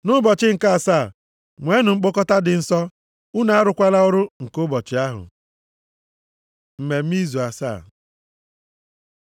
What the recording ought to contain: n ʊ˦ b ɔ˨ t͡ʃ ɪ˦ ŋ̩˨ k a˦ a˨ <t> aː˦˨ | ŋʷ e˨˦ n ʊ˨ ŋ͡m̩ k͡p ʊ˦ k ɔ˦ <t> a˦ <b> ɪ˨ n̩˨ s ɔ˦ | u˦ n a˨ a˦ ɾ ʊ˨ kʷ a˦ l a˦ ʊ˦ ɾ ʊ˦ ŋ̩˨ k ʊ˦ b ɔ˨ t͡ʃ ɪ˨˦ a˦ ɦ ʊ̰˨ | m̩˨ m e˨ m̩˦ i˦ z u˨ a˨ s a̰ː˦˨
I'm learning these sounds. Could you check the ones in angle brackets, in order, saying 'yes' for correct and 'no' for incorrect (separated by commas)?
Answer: no, yes, no